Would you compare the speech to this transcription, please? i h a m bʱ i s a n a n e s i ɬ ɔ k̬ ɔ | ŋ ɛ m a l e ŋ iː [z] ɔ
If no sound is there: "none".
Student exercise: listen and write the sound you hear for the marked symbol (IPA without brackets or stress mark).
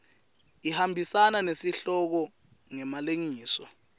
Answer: s